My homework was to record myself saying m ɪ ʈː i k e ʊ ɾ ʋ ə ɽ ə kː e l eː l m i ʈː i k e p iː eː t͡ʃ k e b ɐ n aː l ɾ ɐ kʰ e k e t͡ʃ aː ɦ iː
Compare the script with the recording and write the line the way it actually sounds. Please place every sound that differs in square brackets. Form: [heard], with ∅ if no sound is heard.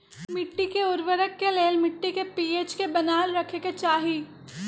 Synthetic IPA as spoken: m ɪ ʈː i k e ʊ ɾ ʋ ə [ɾ] ə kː e l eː l m [ɪ] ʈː i k e p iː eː t͡ʃ k e b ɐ n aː l ɾ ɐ kʰ e k e t͡ʃ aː ɦ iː